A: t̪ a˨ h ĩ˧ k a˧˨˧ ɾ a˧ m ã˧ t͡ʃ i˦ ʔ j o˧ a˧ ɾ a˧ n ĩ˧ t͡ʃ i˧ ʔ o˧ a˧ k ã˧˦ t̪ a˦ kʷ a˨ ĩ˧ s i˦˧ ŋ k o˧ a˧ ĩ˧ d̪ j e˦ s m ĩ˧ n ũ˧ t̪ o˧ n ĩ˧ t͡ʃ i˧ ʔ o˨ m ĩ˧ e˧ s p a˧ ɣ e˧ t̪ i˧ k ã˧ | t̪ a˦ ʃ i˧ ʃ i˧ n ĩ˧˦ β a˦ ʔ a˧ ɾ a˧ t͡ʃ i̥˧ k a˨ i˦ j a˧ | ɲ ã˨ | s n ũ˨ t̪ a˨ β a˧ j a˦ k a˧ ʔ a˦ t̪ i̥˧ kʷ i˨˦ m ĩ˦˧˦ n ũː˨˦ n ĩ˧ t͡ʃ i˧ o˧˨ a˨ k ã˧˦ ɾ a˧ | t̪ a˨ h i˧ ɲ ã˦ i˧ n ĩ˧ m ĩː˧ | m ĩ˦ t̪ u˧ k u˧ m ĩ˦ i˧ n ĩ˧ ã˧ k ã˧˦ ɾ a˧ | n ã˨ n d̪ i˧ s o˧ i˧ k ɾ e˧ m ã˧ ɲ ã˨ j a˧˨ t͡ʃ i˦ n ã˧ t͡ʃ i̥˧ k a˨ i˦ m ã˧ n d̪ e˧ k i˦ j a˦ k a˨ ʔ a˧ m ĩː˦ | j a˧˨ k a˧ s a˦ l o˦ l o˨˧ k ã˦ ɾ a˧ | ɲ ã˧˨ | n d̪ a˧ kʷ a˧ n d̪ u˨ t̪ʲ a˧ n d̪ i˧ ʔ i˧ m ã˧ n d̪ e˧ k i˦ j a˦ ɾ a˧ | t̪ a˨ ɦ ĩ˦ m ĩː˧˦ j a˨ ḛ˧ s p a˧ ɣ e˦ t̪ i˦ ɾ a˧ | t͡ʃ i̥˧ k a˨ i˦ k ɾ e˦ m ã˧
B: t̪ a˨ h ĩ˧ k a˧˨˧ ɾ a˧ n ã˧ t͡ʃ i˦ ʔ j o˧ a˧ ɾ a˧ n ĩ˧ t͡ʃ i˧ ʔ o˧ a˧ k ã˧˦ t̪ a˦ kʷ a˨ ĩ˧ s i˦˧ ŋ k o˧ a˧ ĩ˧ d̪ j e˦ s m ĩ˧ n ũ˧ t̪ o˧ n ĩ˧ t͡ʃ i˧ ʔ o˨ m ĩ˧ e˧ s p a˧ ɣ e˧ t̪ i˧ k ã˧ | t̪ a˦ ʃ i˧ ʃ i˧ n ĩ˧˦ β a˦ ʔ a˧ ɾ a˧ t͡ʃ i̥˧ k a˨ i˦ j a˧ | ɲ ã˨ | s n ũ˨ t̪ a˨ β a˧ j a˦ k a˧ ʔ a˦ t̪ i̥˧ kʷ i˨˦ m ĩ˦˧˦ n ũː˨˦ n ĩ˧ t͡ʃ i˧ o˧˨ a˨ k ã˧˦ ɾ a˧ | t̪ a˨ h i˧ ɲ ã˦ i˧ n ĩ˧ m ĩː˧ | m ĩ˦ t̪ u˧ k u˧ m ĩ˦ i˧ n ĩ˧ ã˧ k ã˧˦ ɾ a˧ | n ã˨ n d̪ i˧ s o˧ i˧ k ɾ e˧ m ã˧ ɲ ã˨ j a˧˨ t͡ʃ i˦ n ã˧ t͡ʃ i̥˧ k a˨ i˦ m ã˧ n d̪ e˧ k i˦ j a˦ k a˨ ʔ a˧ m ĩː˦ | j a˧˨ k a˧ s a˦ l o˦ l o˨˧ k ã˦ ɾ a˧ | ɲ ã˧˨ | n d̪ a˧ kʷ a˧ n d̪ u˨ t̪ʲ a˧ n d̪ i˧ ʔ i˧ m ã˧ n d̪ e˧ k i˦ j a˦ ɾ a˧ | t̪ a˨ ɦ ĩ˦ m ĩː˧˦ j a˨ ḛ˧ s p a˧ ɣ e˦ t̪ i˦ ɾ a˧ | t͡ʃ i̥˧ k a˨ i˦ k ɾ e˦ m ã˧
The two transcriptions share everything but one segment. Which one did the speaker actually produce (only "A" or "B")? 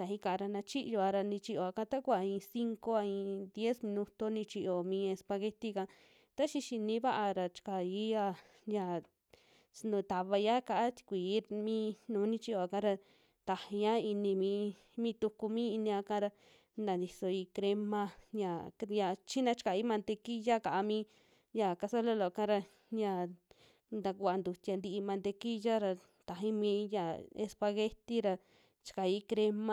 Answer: B